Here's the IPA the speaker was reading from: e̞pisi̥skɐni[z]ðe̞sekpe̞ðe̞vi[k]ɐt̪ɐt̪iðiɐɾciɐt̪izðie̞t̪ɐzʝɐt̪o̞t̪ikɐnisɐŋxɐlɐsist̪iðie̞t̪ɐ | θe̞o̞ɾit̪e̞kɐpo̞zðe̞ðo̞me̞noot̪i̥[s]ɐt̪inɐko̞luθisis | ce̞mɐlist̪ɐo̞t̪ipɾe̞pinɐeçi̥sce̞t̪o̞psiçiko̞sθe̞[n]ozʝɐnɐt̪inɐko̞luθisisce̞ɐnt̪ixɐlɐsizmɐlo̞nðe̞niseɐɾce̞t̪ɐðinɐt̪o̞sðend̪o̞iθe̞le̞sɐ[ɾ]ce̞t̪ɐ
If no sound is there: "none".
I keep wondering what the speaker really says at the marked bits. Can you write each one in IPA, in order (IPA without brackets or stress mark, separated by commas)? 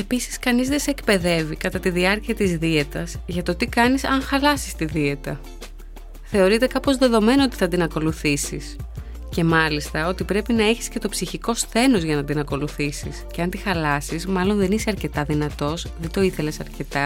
z, k, θ, n, ɾ